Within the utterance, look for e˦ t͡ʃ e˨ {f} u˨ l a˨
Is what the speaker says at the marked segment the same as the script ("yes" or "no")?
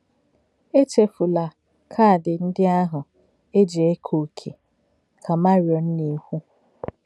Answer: yes